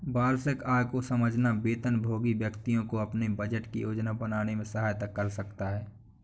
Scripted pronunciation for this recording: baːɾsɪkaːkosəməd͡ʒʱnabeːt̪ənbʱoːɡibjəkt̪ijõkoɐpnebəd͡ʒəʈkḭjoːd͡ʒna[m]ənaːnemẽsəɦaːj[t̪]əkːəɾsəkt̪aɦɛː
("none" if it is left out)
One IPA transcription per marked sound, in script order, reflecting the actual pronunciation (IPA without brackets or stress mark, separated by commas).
b, t̪